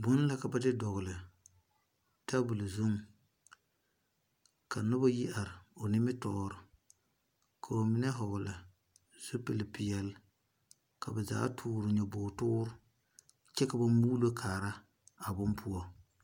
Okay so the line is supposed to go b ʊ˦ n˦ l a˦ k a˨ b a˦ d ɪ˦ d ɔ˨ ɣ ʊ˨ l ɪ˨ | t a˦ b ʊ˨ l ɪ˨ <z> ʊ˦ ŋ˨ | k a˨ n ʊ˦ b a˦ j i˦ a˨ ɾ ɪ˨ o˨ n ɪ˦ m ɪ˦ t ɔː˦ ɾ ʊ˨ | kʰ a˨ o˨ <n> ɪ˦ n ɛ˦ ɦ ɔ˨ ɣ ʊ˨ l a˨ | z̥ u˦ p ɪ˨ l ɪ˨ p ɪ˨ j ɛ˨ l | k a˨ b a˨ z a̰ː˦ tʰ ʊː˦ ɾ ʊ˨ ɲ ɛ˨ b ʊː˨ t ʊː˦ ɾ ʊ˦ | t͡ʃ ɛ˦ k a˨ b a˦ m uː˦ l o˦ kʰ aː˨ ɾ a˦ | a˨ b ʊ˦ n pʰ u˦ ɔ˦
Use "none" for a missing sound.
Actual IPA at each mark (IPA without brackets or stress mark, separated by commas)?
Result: z, m